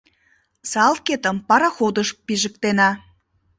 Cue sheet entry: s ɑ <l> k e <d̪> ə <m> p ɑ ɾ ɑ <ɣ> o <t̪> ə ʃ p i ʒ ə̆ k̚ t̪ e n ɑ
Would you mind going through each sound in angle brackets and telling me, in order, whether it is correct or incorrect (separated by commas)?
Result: correct, incorrect, correct, incorrect, incorrect